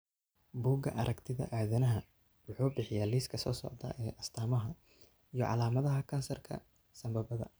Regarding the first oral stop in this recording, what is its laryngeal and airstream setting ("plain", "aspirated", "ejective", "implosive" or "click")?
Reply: plain